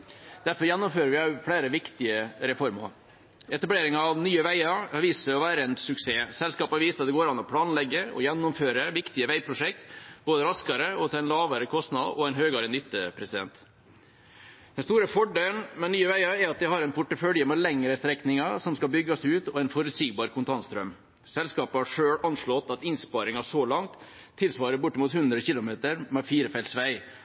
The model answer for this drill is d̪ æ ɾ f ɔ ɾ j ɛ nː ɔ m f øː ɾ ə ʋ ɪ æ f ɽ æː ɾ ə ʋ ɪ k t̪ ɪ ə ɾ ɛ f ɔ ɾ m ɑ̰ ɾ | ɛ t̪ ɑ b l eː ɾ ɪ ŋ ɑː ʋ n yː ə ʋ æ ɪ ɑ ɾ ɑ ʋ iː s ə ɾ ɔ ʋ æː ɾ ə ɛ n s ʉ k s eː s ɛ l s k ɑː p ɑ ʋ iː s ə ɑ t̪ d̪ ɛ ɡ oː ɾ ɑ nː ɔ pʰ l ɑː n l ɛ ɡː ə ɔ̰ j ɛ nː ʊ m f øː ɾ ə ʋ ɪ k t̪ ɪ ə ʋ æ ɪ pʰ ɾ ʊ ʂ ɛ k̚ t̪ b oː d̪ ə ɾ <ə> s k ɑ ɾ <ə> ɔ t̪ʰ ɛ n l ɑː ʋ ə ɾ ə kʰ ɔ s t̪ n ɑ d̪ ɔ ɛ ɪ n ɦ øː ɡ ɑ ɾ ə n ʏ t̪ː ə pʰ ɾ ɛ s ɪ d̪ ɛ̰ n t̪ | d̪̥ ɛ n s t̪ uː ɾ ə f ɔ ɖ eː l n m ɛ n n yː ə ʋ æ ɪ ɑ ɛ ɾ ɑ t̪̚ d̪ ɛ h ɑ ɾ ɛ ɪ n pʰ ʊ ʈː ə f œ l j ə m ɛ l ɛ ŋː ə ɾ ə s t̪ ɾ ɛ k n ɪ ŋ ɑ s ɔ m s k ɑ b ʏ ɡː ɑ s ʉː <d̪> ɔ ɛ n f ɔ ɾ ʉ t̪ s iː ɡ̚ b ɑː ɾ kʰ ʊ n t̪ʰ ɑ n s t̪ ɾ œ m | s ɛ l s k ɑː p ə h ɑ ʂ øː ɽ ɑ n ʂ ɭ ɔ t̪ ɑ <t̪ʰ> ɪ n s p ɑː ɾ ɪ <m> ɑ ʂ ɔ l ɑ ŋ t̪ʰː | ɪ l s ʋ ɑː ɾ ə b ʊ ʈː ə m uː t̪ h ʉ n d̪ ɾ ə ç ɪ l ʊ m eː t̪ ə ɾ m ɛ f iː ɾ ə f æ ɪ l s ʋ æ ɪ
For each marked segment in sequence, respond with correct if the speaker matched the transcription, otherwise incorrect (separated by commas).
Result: incorrect, correct, incorrect, incorrect, incorrect